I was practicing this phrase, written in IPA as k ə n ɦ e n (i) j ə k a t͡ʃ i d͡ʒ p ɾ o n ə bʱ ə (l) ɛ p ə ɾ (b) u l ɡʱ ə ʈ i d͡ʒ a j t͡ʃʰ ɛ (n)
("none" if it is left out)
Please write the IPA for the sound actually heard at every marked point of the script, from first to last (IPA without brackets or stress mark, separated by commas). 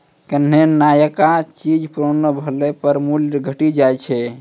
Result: a, l, m, none